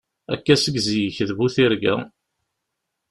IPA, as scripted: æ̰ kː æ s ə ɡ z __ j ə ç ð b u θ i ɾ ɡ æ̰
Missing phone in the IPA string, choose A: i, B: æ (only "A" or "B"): A